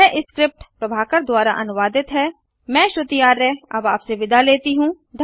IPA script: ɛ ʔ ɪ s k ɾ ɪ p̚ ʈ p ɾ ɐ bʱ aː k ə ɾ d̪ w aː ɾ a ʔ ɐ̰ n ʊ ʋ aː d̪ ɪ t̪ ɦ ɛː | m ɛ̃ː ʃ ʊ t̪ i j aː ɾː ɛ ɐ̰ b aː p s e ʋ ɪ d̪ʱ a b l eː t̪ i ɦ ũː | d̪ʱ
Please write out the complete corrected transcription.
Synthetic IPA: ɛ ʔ ɪ s k ɾ ɪ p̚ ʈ p ɾ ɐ bʱ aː k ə ɾ d̪ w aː ɾ a ʔ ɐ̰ n ʊ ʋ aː d̪ ɪ t̪ ɦ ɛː | m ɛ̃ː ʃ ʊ t̪ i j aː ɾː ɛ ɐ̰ b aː p s e ʋ ɪ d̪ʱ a l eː t̪ i ɦ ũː | d̪ʱ

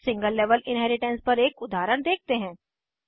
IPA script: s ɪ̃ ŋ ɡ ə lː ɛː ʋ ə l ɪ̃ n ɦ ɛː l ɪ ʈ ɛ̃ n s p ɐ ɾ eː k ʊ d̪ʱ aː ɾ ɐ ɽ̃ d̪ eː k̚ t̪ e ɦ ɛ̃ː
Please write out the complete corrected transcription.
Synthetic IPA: s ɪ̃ ŋ ɡ ə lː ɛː ʋ ə l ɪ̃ n ɦ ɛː ɾ ɪ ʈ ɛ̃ n s p ɐ ɾ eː k ʊ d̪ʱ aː ɾ ə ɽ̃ d̪ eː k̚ t̪ e ɦ ɛ̃ː

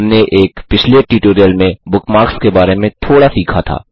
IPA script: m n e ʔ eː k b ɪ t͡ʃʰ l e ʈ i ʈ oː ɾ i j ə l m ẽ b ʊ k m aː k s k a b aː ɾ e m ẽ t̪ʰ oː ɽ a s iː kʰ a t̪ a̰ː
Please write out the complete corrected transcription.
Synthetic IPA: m n e ʔ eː k p ɪ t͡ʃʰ l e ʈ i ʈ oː ɾ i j ə l m ẽ b ʊ k m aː k s k e b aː ɾ e m ẽ t̪ʰ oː ɽ a s iː kʰ a t̪ʰ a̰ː

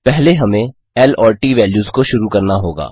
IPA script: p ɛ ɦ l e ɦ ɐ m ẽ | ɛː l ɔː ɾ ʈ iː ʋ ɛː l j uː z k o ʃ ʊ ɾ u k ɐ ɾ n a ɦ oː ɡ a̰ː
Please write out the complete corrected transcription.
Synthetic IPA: p ɛ ɦ l e ɦ ɐ m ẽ | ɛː l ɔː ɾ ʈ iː ʋ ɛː l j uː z k o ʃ ʊ ɾ u k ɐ ɾ n a ɦ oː ɡ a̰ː

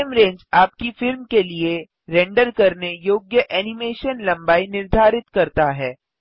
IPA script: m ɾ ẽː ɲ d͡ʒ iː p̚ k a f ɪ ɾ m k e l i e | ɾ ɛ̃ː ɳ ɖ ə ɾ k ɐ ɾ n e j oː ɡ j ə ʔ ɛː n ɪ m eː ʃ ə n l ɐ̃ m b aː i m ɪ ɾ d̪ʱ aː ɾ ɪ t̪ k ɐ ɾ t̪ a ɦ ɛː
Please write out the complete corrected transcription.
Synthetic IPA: m ɾ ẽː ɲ d͡ʒ aː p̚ k i f ɪ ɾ m k e l i e | ɾ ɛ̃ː ɳ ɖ ə ɾ k ɐ ɾ n e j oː ɡ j ə ʔ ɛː n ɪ m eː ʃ ə n l ɐ̃ m b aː i n ɪ ɾ d̪ʱ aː ɾ ɪ t̪ k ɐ ɾ t̪ a ɦ ɛː

